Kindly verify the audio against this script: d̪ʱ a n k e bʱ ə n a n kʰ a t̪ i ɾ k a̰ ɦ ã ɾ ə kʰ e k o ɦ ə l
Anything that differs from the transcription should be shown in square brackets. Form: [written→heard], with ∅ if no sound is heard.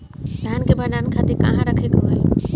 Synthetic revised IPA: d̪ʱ a n k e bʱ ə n a n kʰ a t̪ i ɾ k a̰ ɦ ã ɾ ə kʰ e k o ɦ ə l